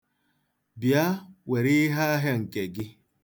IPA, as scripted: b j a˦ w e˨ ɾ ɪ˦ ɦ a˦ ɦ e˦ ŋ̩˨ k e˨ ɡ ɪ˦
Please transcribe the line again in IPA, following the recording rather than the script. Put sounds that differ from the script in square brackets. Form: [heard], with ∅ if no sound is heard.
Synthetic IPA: b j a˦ w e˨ ɾ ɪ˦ ɦ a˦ ɦ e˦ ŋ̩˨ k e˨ ɡ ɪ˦